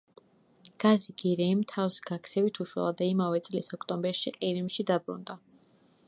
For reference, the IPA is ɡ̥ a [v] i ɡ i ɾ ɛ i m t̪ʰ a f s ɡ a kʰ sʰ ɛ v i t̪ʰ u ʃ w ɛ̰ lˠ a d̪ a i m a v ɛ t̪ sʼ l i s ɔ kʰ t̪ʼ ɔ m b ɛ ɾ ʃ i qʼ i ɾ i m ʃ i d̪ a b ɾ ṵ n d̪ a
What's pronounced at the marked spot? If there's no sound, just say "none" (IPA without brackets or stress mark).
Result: z